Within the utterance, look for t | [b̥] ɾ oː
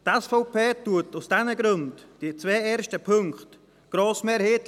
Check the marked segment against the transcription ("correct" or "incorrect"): incorrect